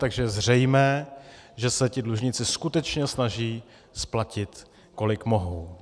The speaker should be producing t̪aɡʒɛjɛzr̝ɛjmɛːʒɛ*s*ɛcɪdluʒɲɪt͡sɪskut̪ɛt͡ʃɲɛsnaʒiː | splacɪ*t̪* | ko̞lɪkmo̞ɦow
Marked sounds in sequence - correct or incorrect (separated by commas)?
correct, correct